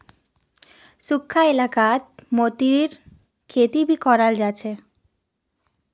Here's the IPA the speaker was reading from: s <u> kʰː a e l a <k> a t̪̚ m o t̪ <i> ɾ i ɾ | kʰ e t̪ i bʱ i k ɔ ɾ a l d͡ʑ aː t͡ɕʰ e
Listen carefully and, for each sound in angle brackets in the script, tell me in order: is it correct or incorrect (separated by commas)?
correct, correct, correct